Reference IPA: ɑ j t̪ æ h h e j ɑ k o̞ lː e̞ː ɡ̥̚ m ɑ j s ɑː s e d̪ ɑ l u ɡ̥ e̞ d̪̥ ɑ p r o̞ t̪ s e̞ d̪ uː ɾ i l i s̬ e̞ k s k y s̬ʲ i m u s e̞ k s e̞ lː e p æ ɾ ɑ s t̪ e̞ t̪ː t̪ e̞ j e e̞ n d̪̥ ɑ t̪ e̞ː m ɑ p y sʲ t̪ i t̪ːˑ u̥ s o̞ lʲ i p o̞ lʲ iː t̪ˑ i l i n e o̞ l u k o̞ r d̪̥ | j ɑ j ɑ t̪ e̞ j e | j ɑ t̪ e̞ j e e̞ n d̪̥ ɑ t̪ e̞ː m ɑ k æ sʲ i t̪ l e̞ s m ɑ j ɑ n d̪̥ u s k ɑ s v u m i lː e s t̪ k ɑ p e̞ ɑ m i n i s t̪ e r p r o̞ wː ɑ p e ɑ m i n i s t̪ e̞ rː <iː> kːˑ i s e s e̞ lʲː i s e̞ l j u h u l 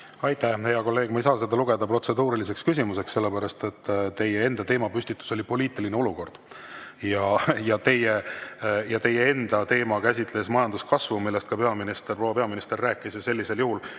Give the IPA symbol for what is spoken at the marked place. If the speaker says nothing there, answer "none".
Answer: æː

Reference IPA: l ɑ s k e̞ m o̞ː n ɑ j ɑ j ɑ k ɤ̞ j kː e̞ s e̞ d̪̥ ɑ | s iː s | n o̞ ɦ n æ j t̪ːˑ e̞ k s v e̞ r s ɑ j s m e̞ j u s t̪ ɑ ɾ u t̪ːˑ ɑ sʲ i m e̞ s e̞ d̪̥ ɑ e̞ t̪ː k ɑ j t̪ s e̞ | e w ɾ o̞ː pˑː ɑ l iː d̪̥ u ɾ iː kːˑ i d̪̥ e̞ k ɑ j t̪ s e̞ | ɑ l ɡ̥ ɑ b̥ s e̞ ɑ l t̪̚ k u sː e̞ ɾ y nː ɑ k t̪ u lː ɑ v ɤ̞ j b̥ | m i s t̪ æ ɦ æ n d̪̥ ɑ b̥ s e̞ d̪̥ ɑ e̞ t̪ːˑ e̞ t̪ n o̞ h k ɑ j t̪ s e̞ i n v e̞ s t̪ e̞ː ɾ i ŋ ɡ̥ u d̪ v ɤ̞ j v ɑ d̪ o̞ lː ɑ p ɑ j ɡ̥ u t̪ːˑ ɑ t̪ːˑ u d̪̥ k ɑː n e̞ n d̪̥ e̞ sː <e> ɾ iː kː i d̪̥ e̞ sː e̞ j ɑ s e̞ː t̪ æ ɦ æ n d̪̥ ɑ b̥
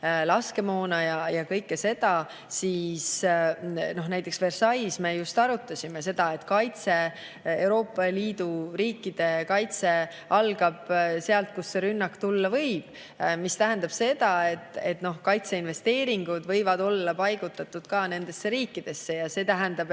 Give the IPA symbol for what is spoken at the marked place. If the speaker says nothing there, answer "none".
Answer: e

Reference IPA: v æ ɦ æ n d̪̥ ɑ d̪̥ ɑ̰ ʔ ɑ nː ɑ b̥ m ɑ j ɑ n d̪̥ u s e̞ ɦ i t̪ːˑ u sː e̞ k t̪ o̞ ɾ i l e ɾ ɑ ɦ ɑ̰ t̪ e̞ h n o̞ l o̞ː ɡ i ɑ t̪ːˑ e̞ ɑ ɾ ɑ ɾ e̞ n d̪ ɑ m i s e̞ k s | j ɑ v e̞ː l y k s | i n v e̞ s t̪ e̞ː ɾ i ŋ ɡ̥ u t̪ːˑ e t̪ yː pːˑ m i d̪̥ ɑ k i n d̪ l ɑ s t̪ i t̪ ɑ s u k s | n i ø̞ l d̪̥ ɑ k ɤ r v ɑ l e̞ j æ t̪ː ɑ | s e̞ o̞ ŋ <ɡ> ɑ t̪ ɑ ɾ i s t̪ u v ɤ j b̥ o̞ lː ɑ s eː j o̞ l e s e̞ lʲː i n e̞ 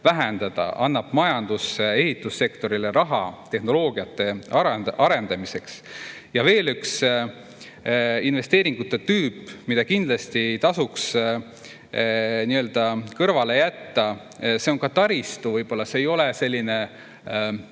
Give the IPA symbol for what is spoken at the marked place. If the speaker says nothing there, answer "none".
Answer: k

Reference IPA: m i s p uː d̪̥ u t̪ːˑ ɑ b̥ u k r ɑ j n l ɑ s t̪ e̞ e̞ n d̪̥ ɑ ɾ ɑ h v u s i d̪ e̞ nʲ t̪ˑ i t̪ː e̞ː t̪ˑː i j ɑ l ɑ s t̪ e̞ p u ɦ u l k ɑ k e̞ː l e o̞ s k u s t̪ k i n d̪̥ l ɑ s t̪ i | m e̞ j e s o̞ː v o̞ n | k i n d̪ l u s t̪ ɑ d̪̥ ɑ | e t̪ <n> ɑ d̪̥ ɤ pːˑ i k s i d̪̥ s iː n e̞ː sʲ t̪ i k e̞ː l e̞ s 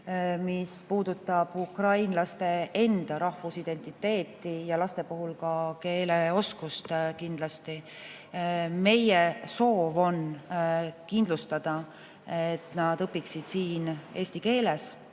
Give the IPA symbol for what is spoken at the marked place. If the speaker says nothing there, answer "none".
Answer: n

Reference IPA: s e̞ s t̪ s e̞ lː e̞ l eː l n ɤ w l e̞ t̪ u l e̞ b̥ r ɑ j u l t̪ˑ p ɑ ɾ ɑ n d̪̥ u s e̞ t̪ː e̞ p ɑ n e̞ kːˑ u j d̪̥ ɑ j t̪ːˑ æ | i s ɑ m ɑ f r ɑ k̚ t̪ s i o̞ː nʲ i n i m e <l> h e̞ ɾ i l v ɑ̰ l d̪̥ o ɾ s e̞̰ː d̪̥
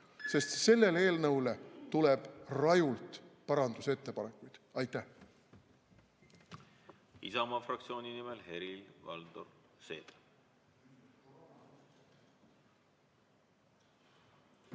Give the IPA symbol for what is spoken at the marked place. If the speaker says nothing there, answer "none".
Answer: l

